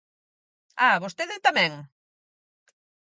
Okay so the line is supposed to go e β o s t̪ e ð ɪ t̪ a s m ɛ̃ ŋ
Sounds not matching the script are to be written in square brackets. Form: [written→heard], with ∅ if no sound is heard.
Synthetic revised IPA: [e→a] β o s t̪ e ð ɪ t̪ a [s→∅] m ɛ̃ ŋ